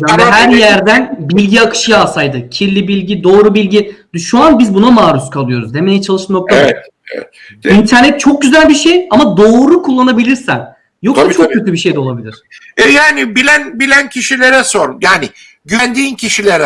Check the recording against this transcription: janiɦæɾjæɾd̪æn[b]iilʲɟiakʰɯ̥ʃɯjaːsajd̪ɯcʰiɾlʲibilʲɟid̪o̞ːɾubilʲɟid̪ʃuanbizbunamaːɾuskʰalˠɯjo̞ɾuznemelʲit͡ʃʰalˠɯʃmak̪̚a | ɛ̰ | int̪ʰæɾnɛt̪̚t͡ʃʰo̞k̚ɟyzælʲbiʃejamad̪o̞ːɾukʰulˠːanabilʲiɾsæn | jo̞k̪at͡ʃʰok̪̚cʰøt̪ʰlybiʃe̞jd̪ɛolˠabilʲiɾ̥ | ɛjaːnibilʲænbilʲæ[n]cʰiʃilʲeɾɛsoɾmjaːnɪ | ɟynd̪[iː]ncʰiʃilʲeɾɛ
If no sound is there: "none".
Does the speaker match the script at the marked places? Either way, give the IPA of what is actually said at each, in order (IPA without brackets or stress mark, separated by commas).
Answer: b, n, iː